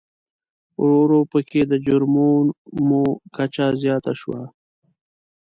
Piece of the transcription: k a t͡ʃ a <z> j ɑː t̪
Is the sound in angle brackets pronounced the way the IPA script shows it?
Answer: yes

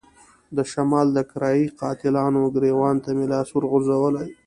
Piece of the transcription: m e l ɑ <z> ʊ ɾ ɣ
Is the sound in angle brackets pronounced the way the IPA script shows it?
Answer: no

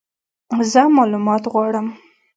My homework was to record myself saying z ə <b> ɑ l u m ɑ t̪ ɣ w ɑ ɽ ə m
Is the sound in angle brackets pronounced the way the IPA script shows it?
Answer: no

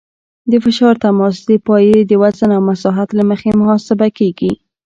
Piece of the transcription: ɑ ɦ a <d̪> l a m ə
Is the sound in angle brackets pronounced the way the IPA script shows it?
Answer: no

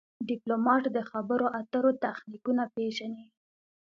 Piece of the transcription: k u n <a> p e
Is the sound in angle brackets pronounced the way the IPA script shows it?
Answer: yes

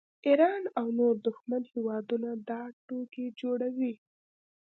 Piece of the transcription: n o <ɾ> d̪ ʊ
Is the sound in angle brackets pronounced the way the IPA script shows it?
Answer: yes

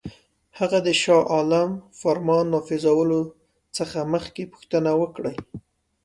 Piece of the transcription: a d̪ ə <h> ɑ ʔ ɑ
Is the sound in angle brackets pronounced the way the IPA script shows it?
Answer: no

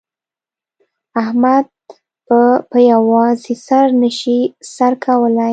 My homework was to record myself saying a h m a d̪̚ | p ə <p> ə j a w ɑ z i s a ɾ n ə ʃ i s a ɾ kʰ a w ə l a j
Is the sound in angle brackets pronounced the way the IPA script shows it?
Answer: yes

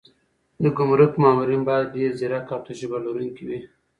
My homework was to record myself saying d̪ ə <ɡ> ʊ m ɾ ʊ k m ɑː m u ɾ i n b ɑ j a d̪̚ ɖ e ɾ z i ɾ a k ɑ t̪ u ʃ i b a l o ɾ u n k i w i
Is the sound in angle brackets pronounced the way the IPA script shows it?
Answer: yes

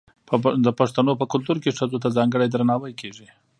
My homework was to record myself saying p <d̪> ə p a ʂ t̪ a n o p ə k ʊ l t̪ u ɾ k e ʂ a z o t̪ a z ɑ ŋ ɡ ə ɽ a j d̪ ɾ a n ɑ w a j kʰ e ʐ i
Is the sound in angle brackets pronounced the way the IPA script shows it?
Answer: yes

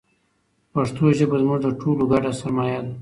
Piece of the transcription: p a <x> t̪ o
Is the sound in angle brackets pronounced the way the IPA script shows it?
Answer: no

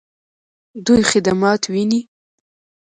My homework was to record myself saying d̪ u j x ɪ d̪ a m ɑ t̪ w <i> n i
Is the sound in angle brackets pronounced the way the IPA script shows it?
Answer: yes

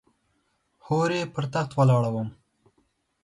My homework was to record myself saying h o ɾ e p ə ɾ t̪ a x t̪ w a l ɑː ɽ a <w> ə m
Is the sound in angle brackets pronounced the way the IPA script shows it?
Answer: yes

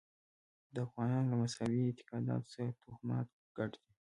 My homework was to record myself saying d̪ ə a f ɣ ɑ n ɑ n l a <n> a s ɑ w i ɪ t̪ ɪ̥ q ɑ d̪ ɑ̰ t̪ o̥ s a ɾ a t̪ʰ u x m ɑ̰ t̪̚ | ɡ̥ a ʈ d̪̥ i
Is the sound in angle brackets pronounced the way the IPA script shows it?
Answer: no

